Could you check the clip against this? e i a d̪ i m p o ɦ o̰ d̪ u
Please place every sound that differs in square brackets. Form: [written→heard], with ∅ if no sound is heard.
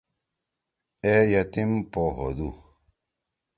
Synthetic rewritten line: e [i→j] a [d̪→t̪] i m p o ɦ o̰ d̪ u